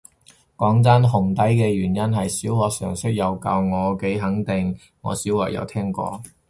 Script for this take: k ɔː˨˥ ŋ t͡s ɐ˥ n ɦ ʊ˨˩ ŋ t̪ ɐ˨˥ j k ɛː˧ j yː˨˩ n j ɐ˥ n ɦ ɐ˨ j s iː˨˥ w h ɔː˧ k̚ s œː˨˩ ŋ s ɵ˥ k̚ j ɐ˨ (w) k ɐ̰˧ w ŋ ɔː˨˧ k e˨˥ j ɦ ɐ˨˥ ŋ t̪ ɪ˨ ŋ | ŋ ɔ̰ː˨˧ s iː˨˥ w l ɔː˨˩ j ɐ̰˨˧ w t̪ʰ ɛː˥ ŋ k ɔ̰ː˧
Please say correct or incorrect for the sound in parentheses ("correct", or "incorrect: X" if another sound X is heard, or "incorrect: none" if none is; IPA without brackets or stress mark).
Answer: correct